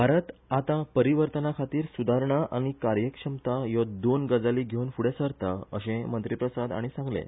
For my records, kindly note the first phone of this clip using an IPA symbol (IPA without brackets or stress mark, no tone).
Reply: bʱ